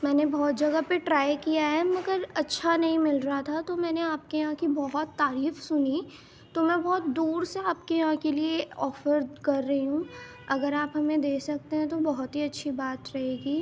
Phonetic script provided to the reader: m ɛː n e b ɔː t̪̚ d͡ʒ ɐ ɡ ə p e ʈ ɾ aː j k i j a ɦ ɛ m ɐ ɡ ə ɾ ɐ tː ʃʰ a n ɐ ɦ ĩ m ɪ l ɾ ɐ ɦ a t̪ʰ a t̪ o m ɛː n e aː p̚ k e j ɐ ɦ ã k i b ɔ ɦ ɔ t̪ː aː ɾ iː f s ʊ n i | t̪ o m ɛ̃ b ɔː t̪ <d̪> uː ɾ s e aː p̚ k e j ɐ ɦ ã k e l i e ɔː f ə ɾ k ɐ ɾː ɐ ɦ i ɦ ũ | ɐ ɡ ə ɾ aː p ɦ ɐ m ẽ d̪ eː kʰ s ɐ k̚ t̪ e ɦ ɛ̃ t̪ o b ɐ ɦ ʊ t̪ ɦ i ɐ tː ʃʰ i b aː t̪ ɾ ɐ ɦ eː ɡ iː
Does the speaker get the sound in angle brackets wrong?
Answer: no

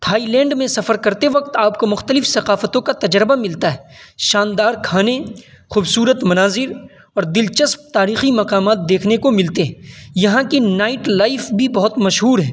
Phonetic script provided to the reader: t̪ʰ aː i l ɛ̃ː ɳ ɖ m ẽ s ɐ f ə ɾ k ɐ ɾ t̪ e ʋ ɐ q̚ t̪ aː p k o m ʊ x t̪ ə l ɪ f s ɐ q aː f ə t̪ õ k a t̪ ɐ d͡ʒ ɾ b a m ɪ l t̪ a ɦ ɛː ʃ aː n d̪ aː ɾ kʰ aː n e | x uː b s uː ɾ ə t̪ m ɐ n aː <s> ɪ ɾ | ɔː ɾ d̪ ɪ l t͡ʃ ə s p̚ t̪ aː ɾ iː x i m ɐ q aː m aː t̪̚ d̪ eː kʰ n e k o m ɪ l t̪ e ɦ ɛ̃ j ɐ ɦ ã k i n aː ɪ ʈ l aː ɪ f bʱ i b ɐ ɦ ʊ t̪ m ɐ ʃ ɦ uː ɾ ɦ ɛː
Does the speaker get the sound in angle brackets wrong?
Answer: yes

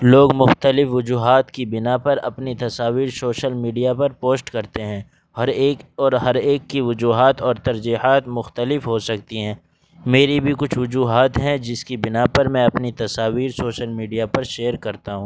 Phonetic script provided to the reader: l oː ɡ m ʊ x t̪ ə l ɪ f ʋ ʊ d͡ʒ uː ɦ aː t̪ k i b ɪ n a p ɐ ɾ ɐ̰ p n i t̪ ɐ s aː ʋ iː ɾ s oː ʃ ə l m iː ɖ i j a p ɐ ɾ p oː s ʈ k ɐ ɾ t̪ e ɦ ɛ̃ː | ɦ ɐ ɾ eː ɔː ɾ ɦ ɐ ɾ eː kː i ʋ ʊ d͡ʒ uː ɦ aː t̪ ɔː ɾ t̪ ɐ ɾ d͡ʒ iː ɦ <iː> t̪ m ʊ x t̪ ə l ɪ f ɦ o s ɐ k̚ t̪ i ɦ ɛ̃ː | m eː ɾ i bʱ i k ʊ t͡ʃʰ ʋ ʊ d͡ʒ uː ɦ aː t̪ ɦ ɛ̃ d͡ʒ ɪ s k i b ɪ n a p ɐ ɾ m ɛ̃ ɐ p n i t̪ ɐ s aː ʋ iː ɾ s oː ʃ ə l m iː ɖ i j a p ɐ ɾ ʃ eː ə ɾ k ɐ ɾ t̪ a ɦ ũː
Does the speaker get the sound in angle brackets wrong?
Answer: yes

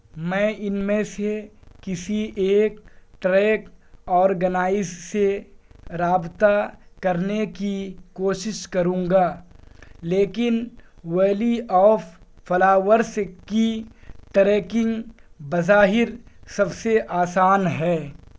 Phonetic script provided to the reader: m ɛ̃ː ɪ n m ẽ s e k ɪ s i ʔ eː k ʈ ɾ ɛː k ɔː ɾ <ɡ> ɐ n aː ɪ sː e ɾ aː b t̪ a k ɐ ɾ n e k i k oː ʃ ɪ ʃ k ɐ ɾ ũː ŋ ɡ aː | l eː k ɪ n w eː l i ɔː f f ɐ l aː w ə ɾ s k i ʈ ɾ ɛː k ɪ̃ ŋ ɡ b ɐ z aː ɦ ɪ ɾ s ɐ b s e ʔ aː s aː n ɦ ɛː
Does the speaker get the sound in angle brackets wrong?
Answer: no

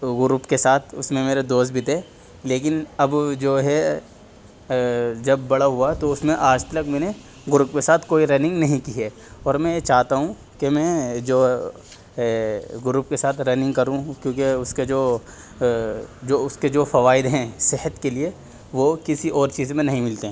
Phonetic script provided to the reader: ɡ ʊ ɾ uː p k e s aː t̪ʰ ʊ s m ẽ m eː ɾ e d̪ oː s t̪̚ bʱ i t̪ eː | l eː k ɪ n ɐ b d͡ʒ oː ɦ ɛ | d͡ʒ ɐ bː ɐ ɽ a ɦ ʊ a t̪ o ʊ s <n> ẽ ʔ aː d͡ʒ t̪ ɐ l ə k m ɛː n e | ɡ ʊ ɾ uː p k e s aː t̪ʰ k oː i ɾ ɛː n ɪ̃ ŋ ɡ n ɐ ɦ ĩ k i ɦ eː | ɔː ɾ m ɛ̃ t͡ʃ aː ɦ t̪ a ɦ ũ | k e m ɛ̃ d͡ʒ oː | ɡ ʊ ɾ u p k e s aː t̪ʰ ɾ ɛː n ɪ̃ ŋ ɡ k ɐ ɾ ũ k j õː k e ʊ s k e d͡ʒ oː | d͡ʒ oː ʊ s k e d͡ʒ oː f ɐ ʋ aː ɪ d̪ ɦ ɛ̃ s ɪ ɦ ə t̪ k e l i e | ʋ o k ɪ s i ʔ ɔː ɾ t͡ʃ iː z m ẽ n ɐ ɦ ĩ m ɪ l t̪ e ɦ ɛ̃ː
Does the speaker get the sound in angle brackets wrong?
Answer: yes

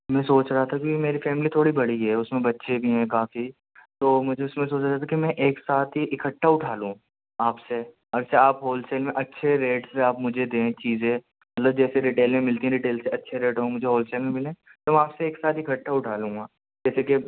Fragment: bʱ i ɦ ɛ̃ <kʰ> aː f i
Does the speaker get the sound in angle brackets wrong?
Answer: yes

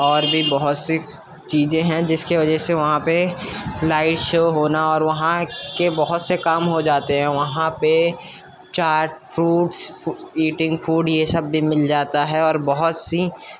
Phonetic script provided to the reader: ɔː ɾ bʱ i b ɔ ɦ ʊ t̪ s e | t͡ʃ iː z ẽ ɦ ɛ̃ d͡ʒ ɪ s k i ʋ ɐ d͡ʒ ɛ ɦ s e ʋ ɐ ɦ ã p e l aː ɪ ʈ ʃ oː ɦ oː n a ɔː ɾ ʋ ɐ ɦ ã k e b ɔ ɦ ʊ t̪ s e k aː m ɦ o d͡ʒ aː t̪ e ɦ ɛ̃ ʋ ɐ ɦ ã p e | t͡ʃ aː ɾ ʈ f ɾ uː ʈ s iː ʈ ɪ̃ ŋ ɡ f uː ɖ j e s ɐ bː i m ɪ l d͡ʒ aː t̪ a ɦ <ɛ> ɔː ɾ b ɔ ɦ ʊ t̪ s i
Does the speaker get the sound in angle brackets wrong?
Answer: no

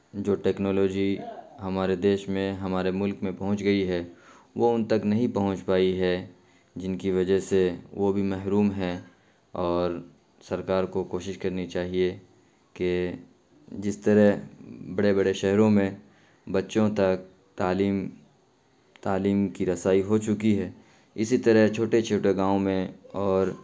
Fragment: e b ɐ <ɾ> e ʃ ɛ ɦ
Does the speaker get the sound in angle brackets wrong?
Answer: yes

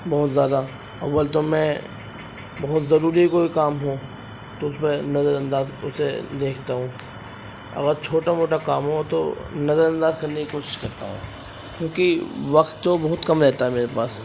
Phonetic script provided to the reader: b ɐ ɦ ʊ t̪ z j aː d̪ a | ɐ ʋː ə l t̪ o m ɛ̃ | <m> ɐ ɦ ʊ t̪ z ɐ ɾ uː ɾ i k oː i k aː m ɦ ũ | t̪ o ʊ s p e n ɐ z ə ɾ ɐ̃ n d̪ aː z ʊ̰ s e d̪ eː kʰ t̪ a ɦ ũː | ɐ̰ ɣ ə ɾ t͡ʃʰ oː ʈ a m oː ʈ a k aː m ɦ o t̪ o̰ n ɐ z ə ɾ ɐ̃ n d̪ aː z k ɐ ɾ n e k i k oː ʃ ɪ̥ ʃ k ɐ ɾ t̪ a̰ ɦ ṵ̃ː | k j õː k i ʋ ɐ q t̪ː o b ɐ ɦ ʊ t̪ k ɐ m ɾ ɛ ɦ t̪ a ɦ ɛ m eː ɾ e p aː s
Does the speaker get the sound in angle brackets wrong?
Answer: yes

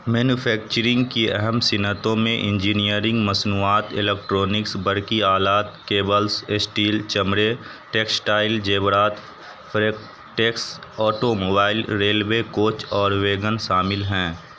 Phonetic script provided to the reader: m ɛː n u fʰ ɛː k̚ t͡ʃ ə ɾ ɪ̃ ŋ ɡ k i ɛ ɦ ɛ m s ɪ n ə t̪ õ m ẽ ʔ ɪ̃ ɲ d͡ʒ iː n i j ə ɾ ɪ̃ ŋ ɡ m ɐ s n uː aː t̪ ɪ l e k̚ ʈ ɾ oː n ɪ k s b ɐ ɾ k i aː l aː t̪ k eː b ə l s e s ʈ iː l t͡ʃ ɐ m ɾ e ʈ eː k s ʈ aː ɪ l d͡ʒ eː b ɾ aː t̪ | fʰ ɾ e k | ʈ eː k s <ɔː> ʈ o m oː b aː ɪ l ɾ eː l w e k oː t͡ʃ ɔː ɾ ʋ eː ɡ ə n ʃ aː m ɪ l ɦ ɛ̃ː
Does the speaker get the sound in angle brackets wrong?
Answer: no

